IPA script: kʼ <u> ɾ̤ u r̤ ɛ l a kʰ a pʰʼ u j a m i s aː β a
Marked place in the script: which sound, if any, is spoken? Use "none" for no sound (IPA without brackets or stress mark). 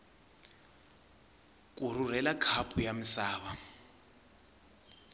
u